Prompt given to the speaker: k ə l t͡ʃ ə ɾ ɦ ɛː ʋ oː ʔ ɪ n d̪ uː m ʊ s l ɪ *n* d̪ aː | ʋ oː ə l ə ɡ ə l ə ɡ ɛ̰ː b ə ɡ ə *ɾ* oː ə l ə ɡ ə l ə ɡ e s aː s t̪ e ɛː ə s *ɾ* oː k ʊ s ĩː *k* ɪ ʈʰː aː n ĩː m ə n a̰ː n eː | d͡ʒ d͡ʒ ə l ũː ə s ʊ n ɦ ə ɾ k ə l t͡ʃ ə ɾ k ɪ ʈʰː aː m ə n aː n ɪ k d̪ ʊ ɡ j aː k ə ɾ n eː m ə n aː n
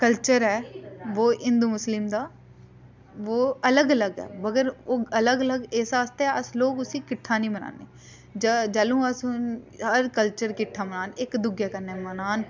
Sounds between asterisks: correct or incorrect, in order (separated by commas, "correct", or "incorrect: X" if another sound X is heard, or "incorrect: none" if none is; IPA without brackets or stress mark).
incorrect: m, correct, incorrect: l, correct